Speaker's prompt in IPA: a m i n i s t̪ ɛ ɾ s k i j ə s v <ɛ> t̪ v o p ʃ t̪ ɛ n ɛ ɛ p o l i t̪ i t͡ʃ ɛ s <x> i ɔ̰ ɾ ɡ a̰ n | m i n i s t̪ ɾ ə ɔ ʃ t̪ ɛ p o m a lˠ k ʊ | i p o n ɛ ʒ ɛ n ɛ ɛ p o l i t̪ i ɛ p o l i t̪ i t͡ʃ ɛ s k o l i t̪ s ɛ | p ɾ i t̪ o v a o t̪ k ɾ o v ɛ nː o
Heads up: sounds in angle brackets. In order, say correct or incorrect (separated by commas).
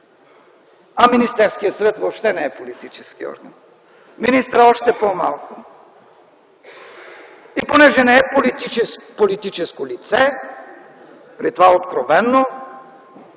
correct, incorrect